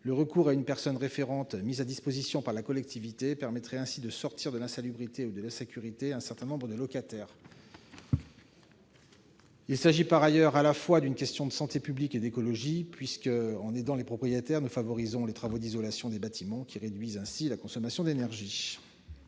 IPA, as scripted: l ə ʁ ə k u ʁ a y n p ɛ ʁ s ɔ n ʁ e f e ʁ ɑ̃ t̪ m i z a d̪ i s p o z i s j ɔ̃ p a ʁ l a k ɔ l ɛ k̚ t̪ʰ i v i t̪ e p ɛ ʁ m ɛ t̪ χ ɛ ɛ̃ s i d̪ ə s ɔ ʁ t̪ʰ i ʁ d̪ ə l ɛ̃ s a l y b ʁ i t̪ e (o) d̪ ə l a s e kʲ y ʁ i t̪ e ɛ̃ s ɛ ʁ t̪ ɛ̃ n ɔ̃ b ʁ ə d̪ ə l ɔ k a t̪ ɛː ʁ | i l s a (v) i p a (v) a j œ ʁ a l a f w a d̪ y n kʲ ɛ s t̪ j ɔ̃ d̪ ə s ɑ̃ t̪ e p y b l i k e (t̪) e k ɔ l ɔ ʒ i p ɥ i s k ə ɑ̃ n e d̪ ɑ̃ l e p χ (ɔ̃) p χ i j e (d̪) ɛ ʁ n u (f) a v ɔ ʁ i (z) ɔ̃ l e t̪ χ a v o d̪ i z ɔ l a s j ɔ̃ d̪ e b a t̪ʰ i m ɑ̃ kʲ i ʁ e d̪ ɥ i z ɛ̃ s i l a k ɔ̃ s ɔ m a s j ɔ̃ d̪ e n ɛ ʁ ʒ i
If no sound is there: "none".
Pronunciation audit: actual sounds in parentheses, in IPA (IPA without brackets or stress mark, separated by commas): u, ʒ, ʁ, d̪, ɔ, t̪, f, z